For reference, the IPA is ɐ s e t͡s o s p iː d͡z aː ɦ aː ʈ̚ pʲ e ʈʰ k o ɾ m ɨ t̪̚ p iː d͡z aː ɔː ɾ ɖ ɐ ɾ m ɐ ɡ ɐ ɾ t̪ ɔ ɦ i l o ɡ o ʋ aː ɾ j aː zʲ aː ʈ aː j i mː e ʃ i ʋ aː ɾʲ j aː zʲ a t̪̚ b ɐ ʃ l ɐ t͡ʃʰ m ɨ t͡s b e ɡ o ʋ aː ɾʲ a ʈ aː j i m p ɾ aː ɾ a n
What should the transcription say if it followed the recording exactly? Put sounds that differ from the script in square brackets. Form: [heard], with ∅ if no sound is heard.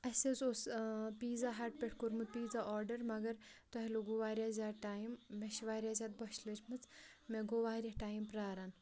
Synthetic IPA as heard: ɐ s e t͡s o s p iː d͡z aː ɦ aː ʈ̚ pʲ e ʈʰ k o ɾ m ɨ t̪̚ p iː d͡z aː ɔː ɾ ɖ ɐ ɾ m ɐ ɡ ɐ ɾ t̪ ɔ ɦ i l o ɡ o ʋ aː ɾ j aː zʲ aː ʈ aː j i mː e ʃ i ʋ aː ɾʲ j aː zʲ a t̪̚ b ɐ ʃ l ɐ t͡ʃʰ m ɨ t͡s [m] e ɡ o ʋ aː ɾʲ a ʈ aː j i m p ɾ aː ɾ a n